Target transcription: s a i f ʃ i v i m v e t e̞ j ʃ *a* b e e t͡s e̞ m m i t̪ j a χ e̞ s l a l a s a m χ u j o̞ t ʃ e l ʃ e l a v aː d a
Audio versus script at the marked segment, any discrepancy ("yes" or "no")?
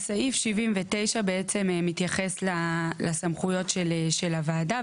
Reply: no